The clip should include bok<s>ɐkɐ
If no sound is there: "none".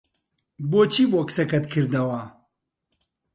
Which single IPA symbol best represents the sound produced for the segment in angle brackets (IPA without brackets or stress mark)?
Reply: s